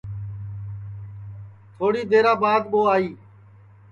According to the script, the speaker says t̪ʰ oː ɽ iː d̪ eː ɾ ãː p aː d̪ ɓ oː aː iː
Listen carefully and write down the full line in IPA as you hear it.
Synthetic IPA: t̪ʰ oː ɽ iː d̪ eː ɾ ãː b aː d̪ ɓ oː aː iː